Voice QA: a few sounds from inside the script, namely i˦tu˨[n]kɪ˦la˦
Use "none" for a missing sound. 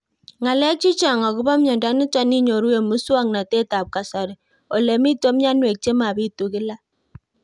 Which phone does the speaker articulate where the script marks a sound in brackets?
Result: none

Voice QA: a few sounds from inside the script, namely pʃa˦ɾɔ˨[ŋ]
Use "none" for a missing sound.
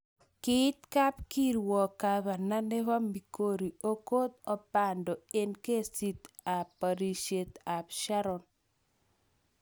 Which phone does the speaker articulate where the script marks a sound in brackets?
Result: n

